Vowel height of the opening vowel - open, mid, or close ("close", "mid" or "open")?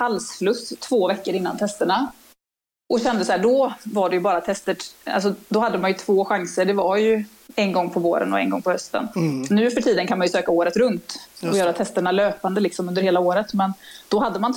open